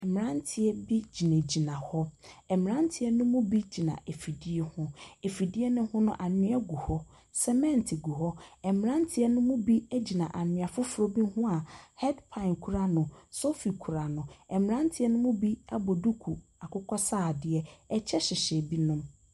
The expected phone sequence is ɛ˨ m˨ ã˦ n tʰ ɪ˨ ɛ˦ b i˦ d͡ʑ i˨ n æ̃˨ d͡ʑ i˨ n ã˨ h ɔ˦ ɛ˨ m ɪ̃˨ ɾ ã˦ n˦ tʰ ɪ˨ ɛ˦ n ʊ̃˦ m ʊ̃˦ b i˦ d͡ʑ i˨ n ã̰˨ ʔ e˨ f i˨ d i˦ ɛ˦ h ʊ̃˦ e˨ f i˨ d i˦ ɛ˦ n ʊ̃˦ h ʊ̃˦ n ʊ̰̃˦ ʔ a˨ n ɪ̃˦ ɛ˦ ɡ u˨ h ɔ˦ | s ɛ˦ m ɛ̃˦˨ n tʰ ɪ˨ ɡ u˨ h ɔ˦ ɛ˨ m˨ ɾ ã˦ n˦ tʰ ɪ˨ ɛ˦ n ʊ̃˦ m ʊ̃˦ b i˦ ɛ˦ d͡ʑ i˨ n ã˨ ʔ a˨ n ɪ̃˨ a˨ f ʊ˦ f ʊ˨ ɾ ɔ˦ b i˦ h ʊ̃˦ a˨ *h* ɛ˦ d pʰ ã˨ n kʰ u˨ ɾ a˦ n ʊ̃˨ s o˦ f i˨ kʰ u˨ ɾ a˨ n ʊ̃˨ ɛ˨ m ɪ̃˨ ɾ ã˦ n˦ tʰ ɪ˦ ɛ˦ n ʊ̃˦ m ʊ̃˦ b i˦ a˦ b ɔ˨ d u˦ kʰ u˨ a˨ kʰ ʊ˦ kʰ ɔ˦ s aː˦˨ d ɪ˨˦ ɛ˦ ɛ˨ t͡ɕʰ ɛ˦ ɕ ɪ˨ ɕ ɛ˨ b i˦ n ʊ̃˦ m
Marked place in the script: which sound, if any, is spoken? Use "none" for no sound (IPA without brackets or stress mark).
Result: h